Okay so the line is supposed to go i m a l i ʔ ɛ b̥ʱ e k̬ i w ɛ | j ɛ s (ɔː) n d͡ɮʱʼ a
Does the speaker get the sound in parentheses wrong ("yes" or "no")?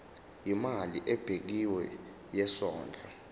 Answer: no